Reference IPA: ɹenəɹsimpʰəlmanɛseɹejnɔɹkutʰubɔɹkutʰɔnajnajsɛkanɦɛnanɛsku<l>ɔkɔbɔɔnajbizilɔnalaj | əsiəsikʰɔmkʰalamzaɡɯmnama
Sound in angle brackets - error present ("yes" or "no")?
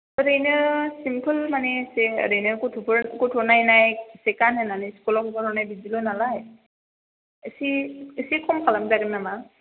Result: no